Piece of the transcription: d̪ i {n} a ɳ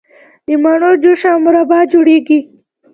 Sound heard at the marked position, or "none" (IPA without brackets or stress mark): m